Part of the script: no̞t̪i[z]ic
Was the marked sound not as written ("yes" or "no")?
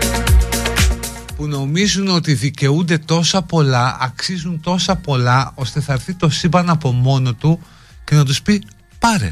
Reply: yes